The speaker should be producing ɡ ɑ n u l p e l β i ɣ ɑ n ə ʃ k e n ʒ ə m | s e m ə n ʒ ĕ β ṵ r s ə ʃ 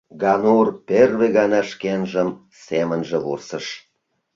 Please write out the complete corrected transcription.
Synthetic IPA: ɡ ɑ n u r p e r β e ɣ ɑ n ɑ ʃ k e n ʒ ə m | s e m ə n ʒ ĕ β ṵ r s ə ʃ